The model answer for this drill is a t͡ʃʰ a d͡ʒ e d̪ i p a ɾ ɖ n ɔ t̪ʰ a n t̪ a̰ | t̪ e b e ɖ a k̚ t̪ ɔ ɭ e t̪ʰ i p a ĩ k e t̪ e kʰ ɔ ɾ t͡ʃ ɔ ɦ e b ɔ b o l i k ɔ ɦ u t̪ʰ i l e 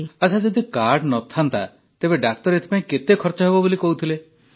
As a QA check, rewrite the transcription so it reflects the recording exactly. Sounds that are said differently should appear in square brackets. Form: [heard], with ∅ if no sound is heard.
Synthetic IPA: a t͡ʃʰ a d͡ʒ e d̪ i [k] a ɾ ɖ n ɔ t̪ʰ a n t̪ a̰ | t̪ e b e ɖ a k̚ t̪ ɔ [ɾ] e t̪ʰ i p a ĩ k e t̪ e kʰ ɔ ɾ t͡ʃ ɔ ɦ e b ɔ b o l i k ɔ ɦ u t̪ʰ i l e